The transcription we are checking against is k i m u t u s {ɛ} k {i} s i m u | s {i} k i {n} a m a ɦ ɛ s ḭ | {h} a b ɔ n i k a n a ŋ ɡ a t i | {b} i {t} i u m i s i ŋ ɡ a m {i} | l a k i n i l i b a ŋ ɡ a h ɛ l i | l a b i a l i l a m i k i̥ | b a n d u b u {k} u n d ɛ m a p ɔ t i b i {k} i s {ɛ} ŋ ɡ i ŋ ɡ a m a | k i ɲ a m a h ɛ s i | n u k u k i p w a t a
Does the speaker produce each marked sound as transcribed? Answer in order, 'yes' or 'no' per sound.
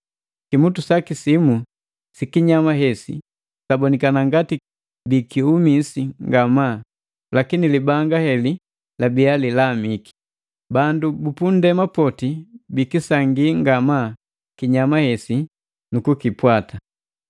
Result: no, yes, yes, no, no, yes, no, no, no, yes, no

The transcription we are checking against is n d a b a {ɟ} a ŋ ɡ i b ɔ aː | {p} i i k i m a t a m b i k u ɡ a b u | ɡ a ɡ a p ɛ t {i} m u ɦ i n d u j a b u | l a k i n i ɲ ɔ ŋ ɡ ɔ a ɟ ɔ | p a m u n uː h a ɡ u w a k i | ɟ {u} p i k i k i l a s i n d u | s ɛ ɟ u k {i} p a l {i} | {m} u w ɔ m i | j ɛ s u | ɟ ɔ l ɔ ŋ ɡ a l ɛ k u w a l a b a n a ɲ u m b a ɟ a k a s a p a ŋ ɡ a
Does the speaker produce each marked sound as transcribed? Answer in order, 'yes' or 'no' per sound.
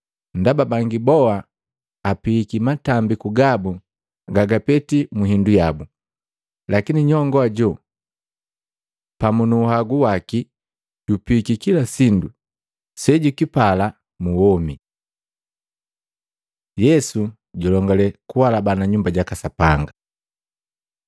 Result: no, yes, yes, yes, yes, no, yes

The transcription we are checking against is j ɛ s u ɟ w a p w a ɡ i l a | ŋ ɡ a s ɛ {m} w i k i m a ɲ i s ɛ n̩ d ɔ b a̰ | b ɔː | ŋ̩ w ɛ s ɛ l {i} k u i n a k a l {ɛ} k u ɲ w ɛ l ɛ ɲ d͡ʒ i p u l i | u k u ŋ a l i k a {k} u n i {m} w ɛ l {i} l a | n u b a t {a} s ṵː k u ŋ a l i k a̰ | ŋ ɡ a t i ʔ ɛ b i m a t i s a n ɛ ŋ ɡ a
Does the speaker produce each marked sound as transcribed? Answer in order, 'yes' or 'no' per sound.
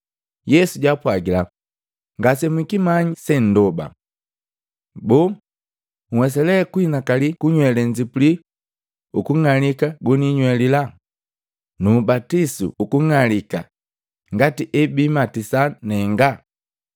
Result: yes, no, no, no, no, yes, no

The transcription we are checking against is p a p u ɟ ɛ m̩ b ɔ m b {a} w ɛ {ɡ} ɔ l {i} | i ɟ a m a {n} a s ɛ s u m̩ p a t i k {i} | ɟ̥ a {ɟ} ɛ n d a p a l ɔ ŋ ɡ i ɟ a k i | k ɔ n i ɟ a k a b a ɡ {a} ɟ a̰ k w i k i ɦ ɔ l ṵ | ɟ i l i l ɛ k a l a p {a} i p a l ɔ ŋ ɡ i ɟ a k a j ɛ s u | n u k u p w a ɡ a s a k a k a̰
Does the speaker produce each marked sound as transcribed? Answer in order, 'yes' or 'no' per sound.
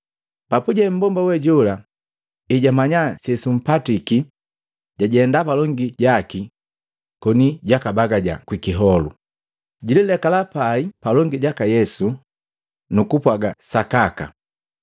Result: yes, no, no, no, yes, yes, yes, yes

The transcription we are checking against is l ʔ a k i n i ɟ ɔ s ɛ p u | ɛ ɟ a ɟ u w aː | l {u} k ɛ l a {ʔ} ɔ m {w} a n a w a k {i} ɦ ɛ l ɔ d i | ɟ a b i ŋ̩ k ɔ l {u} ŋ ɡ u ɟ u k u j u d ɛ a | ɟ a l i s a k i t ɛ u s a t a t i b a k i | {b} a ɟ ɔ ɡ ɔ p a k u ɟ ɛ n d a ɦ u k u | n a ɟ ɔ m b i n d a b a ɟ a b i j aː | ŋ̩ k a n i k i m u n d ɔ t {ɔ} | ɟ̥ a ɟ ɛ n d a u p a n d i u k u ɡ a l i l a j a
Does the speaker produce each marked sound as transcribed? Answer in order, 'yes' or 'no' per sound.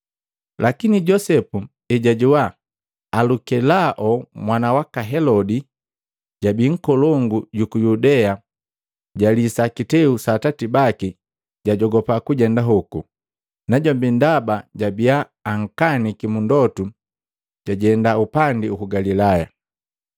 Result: yes, yes, yes, no, no, no, no

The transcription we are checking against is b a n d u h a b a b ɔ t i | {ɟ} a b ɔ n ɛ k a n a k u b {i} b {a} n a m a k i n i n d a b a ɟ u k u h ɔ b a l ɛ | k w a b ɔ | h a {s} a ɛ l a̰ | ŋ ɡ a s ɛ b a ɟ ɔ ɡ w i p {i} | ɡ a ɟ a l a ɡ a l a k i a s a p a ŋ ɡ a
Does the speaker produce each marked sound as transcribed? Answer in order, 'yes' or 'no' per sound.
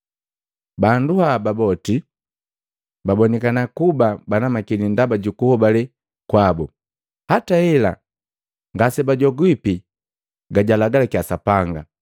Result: no, no, yes, no, yes

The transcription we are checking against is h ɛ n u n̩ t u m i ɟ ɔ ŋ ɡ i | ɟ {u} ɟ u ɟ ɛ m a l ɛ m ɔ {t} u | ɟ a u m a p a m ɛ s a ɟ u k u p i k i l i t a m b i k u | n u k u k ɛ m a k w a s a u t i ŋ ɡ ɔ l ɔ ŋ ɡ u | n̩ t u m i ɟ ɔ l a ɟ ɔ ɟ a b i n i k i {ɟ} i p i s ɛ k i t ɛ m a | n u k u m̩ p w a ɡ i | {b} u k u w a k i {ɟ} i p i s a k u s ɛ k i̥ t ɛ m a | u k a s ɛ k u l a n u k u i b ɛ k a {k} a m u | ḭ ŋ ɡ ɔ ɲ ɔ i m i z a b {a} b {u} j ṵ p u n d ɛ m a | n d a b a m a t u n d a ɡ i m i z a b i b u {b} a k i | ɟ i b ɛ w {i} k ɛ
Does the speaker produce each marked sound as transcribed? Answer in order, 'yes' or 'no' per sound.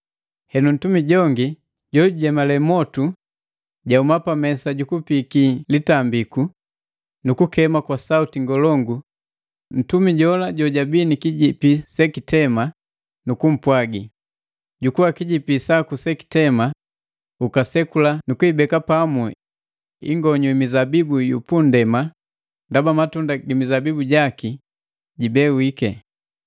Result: no, yes, yes, no, yes, no, no, yes, no, yes

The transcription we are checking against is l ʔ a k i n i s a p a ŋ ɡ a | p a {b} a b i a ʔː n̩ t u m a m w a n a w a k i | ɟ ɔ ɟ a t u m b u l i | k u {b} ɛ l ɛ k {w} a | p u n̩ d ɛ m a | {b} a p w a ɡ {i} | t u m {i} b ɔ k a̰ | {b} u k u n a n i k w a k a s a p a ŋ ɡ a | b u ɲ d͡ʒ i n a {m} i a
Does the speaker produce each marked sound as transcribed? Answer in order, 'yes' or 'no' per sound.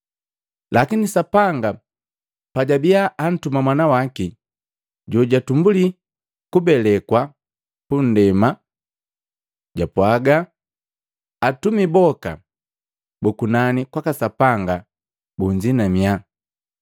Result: no, yes, yes, no, no, yes, yes, yes

